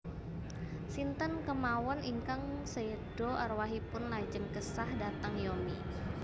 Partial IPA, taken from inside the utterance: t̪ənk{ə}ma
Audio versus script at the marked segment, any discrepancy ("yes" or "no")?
no